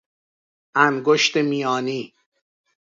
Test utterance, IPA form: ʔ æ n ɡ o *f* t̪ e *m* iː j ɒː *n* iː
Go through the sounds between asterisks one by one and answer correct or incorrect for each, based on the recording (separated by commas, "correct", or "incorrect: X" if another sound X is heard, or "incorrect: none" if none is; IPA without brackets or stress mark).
incorrect: ʃ, correct, correct